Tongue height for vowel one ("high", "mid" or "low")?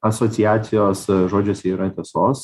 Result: low